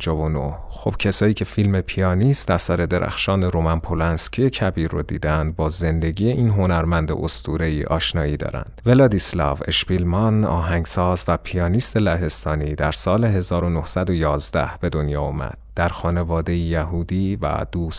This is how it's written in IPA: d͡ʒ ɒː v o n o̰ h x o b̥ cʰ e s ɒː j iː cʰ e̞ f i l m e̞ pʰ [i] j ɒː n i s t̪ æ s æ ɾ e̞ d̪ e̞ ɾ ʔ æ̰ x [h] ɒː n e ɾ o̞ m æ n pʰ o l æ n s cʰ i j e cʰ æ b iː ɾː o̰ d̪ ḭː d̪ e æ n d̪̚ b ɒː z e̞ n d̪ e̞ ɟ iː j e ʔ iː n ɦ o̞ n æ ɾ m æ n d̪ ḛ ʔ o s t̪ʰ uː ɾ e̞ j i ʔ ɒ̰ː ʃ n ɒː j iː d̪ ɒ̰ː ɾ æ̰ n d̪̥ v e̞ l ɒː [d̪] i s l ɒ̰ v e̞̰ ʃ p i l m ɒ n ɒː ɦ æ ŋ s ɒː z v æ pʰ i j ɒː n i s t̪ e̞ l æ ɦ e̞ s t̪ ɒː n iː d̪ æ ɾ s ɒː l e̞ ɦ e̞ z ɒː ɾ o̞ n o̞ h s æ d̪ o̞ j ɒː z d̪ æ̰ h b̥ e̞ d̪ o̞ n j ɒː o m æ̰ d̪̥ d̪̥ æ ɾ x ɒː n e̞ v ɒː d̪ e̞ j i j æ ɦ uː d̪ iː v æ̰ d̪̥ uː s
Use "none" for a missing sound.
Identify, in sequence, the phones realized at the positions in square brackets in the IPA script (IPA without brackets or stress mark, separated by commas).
i, ʃ, d̪